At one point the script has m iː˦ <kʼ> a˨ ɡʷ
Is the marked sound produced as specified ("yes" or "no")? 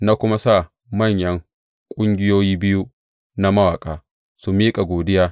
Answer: yes